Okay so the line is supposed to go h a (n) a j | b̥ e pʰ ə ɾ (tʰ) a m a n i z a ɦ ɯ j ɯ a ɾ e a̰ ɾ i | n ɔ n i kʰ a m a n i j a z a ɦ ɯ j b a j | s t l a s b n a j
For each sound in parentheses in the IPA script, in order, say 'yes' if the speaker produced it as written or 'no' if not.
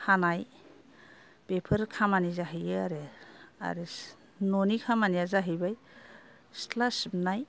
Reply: yes, no

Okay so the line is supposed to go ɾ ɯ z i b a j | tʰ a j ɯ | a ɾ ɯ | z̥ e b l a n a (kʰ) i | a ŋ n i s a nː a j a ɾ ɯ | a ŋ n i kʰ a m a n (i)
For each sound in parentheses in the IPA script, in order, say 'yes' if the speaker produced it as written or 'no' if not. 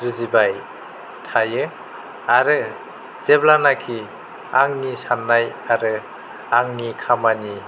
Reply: yes, yes

